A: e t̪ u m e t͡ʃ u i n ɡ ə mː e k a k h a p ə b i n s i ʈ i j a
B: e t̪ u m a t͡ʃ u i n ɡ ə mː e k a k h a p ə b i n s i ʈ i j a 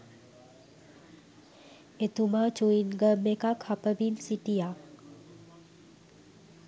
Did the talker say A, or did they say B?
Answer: B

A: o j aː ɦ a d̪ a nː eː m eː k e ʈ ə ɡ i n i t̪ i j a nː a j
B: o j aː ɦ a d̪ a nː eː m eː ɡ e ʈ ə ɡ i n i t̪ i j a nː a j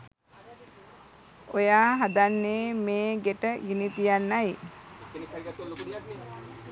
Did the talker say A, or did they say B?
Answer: B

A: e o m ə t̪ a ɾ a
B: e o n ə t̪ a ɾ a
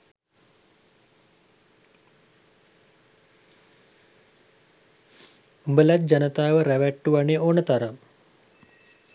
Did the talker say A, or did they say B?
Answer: B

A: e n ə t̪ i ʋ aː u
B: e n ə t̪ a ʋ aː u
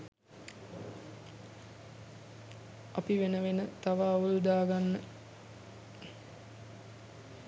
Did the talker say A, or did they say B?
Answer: B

